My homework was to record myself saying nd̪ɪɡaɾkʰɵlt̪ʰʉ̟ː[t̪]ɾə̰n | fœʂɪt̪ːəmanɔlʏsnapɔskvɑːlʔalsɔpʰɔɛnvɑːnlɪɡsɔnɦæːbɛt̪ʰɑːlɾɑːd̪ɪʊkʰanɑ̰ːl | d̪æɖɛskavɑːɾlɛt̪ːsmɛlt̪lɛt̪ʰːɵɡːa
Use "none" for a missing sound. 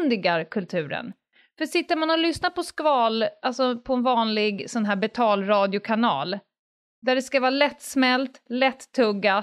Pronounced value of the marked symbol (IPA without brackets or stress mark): none